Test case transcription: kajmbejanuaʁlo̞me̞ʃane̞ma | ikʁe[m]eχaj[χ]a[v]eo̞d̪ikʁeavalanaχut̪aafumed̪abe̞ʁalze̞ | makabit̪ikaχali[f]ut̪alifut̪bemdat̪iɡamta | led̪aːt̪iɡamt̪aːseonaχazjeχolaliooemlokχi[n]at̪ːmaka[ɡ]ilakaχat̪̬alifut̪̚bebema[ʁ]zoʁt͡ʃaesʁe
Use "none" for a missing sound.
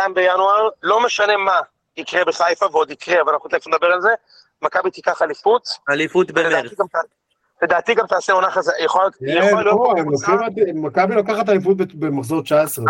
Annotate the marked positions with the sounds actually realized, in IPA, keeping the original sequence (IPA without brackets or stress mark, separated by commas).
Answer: b, f, v, f, m, b, χ